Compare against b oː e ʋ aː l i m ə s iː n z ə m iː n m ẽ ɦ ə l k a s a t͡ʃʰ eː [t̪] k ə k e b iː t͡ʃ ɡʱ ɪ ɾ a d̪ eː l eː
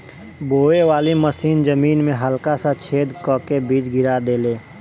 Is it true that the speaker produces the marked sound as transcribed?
no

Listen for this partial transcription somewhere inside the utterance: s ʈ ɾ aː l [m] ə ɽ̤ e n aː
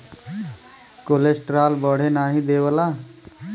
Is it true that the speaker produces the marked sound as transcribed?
no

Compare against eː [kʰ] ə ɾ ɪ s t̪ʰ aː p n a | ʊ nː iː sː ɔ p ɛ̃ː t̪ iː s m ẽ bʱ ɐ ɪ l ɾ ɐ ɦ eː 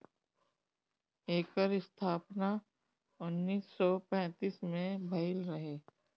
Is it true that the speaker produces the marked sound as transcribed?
no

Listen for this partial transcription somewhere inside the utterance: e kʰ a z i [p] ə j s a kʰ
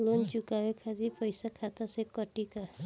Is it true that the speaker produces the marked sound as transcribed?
yes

